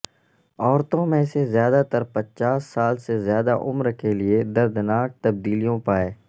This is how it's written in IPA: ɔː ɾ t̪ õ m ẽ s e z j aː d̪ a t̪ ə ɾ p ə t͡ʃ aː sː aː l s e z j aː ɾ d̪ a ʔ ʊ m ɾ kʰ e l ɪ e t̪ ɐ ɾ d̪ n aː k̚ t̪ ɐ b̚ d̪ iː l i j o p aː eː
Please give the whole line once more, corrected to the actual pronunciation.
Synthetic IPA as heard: ɔː ɾ t̪ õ m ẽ s e z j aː d̪ a t̪ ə ɾ p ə t͡ʃ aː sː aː l s e z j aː d̪ a ʔ ʊ m ɾ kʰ e l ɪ e d̪ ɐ ɾ d̪ n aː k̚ t̪ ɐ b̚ d̪ iː l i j õ p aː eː